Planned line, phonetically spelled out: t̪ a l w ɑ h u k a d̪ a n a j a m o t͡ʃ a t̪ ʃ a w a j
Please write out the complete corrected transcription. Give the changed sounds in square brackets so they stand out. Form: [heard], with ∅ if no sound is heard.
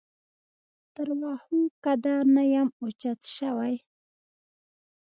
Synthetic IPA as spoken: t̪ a [ɾ] w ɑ h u k a d̪ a n a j a m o t͡ʃ a t̪ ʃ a w a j